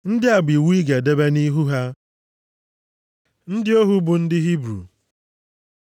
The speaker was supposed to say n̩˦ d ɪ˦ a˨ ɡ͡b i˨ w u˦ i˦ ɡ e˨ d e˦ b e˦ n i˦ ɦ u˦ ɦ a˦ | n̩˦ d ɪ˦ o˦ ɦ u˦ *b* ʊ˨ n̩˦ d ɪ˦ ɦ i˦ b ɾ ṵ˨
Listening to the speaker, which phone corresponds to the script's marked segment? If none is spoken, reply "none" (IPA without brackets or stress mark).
b